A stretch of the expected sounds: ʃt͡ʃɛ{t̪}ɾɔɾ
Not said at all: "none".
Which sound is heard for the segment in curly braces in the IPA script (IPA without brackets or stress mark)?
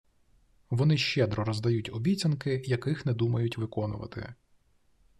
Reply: d̪